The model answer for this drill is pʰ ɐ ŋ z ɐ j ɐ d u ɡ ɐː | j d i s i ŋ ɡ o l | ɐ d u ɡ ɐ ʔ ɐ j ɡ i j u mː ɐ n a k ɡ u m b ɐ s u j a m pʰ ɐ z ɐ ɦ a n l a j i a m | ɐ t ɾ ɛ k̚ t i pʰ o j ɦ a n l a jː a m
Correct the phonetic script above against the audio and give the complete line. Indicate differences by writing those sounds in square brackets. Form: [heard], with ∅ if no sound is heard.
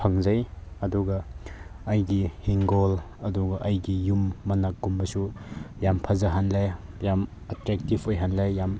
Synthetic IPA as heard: pʰ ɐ ŋ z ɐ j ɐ d u ɡ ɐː | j [ɡ] i [h] i ŋ ɡ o l | ɐ d u ɡ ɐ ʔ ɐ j ɡ i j u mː ɐ n a k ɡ u m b ɐ s u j a m pʰ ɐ z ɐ ɦ a n l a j [j] a m | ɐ t ɾ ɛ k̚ t i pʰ o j ɦ a n l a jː a m